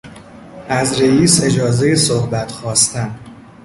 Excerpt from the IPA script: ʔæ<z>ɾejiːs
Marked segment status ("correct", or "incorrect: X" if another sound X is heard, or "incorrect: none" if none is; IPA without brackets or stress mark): correct